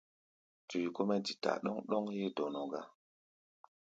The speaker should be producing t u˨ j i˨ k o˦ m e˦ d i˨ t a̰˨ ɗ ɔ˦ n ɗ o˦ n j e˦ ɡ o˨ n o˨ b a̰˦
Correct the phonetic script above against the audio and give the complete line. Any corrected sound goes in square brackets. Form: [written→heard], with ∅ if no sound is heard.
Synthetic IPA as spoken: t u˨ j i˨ k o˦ m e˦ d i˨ t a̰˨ ɗ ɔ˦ [n→ŋ] ɗ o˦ [n→ŋ] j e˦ [ɡ→d] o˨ n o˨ [b→ɡ] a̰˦